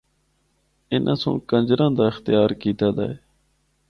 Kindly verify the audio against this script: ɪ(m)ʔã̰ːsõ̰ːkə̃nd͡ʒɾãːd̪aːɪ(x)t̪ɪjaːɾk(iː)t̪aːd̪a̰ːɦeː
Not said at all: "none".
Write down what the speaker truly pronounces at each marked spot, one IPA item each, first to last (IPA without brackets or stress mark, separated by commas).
n, x, iː